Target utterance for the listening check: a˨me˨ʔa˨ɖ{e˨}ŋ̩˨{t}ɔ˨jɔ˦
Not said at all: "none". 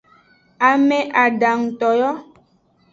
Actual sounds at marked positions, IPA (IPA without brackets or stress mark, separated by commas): a˨, t